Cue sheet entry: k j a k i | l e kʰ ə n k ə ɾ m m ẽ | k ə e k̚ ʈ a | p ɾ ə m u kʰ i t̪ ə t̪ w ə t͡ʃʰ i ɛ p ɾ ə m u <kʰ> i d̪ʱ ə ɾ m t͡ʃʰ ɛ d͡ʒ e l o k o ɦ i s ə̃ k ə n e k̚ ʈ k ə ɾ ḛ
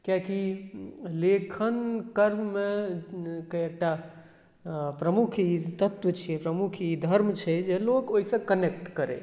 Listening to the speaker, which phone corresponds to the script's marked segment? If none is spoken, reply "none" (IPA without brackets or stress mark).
kʰ